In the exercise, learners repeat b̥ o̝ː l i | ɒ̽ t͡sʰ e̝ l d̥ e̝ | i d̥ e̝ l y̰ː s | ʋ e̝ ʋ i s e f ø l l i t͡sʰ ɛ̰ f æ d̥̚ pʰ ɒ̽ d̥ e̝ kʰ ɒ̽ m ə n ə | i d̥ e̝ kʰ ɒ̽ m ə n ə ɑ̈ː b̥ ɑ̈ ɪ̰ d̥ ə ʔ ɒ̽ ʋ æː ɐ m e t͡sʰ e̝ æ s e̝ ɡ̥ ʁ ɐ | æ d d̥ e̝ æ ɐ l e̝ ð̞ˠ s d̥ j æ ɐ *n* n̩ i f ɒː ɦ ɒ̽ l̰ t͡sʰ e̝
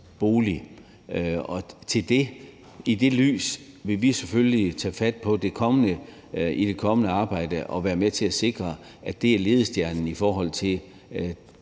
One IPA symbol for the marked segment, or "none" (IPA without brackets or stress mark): n